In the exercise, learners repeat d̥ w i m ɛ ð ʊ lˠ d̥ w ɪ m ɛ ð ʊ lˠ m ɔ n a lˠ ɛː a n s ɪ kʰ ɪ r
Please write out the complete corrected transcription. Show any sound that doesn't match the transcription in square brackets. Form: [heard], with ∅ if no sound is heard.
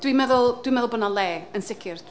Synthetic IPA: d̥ w i m ɛ ð ʊ lˠ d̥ w [i] m ɛ ð ʊ lˠ [b] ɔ n a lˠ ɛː [ə] n s ɪ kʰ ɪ r